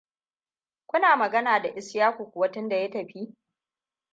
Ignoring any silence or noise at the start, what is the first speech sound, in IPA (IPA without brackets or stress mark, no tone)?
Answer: kʷ